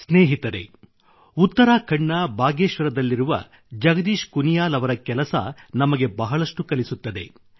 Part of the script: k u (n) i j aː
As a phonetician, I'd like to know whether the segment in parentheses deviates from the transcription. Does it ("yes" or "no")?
no